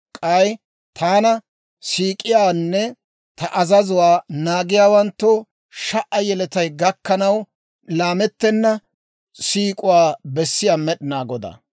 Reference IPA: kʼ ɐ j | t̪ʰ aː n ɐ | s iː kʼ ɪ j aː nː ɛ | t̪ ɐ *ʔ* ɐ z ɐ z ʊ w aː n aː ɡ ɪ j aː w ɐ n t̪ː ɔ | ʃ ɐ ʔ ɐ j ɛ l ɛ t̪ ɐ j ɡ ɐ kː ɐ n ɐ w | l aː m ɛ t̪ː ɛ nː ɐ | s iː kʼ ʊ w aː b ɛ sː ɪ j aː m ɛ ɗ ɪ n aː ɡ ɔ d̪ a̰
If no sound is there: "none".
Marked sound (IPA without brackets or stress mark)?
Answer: ʔ